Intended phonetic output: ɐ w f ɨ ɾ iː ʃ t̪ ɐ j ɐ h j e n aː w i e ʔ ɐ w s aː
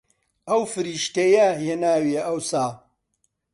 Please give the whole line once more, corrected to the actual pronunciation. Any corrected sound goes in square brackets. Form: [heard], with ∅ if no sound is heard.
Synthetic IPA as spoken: ɐ w f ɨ ɾ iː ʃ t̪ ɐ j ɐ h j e n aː w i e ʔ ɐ w s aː